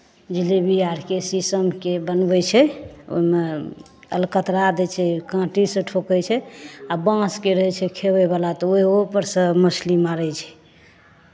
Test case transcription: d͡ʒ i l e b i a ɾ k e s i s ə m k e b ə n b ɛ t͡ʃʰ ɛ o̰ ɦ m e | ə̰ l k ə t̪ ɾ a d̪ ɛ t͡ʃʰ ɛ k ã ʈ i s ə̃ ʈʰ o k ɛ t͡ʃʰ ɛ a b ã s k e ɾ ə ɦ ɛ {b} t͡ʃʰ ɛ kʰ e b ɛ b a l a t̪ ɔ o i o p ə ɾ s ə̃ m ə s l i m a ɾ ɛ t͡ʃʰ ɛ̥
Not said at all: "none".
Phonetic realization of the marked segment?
none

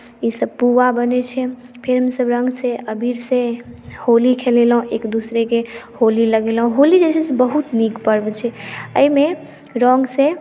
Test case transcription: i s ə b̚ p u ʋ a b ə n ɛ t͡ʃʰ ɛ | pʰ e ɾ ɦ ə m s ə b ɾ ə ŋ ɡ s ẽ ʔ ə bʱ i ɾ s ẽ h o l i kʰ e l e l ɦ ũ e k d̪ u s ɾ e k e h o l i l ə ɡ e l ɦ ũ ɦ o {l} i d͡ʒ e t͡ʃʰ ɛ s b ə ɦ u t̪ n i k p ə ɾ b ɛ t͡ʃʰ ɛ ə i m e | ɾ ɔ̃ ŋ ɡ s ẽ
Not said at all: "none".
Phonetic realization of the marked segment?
l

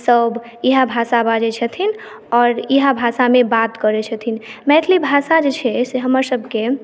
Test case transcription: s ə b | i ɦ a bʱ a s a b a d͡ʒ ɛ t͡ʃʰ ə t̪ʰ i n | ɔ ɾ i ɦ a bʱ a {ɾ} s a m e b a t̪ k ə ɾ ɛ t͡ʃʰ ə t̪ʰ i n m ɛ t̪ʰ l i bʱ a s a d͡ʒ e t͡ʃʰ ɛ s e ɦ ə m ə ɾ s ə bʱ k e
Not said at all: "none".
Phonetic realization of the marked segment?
none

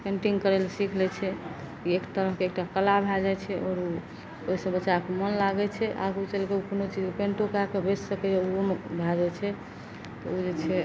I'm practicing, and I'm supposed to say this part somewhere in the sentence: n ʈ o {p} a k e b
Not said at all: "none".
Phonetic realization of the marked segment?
k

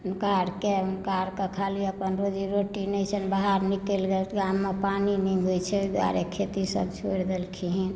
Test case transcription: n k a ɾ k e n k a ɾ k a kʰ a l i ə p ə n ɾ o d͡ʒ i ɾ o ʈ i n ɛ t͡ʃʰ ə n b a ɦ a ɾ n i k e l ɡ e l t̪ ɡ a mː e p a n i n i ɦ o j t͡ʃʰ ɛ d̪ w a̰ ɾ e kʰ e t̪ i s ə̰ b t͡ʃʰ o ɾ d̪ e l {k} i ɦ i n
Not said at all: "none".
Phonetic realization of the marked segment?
kʰ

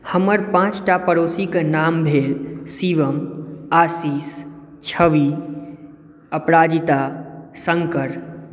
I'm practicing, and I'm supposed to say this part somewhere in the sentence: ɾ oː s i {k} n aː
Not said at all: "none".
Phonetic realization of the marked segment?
k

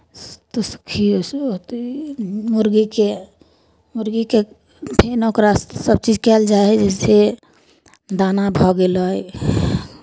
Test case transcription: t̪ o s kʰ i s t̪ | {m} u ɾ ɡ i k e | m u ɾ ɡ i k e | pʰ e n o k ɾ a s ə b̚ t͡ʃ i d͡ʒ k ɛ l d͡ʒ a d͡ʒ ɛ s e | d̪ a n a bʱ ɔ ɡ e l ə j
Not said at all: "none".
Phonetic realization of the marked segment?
m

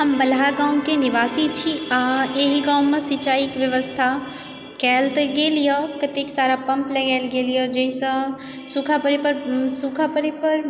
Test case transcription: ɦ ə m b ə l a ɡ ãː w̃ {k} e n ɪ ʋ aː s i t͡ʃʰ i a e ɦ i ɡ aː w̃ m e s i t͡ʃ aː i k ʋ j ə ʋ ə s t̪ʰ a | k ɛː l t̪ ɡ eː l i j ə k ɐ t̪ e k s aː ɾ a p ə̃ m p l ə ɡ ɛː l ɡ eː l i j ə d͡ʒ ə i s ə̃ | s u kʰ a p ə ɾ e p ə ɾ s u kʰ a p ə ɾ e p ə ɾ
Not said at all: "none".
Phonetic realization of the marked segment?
k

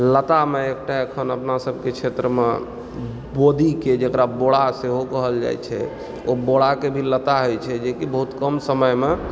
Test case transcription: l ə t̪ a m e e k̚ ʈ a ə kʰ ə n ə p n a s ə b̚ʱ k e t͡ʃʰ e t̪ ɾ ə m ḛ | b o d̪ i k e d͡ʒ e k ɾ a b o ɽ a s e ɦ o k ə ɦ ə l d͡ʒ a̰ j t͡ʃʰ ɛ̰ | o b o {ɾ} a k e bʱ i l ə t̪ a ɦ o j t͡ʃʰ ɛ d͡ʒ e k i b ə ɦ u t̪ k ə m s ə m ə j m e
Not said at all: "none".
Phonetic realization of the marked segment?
ɽ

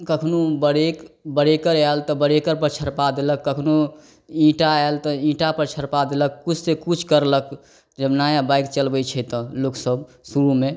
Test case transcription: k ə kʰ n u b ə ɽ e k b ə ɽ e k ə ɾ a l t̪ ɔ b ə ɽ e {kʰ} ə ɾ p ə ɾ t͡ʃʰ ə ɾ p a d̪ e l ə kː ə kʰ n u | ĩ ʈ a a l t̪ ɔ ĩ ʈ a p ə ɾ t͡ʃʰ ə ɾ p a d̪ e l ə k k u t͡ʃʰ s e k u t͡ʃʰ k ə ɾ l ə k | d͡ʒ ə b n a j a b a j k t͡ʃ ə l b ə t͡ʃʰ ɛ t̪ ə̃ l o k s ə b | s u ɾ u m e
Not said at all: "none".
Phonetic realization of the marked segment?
k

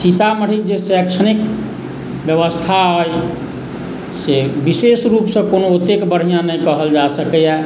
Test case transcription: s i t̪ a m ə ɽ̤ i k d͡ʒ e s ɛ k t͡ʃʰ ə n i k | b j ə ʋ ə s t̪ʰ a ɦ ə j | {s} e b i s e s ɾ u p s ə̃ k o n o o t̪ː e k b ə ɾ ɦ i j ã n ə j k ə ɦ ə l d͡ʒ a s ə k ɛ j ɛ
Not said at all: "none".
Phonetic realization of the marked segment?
s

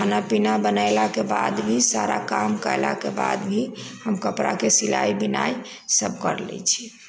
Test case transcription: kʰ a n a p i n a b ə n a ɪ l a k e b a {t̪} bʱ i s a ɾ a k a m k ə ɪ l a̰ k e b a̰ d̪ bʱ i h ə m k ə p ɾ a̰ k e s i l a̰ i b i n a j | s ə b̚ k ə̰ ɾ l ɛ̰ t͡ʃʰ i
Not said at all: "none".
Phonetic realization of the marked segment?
d̪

